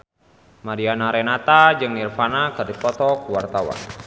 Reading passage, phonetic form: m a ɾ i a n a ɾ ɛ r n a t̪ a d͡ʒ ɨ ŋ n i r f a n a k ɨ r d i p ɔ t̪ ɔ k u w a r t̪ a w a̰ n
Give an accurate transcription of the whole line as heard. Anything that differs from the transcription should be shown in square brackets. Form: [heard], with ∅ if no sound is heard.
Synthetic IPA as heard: m a ɾ i a n a ɾ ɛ [∅] n a t̪ a d͡ʒ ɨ ŋ n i r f a n a k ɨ r d i p ɔ t̪ ɔ k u w a r t̪ a w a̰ n